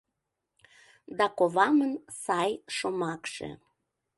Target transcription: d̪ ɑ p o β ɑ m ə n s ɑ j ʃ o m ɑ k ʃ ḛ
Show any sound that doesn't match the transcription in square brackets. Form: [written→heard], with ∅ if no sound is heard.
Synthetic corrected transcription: d̪ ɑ [p→k] o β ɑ m ə n s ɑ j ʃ o m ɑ k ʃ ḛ

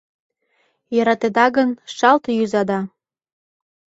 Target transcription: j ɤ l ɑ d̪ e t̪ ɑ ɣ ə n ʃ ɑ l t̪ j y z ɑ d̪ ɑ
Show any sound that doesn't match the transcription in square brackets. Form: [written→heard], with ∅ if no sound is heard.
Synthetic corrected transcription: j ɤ [l→ɾ] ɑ [d̪→t̪] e [t̪→d̪] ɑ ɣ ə n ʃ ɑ l t̪ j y z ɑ d̪ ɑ

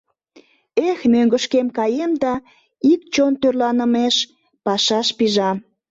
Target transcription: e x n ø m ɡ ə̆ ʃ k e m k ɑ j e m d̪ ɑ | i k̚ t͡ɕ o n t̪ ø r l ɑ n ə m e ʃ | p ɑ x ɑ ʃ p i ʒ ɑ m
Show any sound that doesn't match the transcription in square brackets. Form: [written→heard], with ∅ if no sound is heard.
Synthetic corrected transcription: e x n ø [m→ŋ] ɡ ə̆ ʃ k e m k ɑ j e m d̪ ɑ | i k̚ t͡ɕ o n t̪ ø r l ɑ n ə m e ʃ | p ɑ [x→ʃ] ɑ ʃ p i ʒ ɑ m

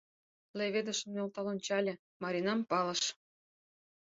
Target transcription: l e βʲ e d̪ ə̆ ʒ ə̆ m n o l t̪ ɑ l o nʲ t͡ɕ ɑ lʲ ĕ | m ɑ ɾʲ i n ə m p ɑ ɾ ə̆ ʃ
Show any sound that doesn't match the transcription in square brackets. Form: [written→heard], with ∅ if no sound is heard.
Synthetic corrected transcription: l e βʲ e d̪ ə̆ [ʒ→ʃ] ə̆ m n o l t̪ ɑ l o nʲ t͡ɕ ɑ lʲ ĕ | m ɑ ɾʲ i n [ə→ɑ] m p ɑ [ɾ→l] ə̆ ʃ

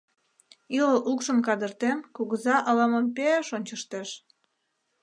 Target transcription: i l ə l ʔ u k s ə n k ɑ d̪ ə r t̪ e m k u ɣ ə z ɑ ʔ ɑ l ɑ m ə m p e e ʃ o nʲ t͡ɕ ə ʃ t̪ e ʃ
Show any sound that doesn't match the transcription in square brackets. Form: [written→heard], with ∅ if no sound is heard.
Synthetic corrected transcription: i l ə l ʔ u k [s→ʃ] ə [n→m] k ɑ d̪ ə r t̪ e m k u ɣ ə z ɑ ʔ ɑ l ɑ m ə m p e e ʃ o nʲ t͡ɕ ə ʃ t̪ e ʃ

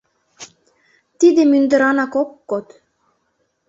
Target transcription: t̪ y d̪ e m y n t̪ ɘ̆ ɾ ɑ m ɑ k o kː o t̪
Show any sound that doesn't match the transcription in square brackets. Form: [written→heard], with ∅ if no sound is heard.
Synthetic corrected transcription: t̪ [y→i] d̪ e m y n [t̪→d̪] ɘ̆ ɾ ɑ [m→n] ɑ k o kː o t̪

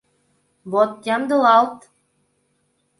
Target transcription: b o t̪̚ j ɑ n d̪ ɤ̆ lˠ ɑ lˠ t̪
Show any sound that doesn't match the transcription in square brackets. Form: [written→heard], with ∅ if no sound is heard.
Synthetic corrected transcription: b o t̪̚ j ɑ [n→m] d̪ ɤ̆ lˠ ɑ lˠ t̪

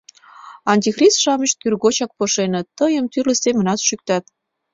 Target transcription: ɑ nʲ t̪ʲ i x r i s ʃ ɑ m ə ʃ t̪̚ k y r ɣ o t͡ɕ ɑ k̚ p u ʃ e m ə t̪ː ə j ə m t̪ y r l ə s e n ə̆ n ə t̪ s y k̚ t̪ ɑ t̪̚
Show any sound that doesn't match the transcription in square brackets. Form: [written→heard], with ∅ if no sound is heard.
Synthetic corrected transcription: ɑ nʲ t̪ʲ i x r i s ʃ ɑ m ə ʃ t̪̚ k y r ɣ o t͡ɕ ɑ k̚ p [u→o] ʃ e [m→n] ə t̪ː ə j ə m t̪ y r l ə s e [n→m] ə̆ n [ə→ɑ] t̪ [s→ʃ] y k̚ t̪ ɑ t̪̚

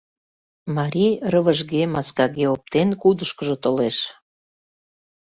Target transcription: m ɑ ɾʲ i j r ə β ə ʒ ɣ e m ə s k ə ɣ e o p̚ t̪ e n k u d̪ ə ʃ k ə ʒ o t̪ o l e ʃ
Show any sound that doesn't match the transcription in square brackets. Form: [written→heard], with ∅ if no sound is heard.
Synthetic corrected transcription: m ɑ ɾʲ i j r ə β ə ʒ ɣ e m [ə→ɑ] s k [ə→ɑ] ɣ e o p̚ t̪ e n k u d̪ ə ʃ k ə ʒ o t̪ o l e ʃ

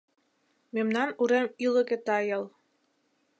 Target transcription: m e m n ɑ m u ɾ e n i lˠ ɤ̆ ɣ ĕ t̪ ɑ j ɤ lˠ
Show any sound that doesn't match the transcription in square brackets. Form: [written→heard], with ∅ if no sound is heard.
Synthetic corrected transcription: m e m n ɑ [m→n] u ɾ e [n→m] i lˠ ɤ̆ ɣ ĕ t̪ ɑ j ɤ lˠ

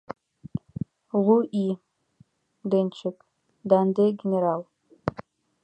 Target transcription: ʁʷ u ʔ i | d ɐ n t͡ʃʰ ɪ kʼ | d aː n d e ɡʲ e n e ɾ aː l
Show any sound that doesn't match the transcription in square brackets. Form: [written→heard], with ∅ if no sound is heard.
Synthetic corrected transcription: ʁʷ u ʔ i | d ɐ n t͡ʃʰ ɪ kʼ | d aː n d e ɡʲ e n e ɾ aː l

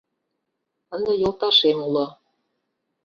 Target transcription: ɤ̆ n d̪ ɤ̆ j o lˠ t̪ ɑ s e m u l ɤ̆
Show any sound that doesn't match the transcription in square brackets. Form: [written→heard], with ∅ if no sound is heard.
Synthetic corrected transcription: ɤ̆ n d̪ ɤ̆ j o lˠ t̪ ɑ [s→ʃ] e m u l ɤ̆

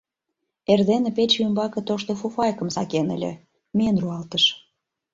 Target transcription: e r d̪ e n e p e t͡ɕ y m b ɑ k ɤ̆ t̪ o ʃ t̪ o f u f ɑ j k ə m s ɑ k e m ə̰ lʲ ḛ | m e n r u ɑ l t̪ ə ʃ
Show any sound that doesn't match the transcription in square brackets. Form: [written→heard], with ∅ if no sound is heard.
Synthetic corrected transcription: e r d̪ e n e p e t͡ɕ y m b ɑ k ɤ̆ t̪ o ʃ t̪ o f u f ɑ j k ə m s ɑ k e [m→n] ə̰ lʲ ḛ | m e n r u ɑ l t̪ ə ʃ

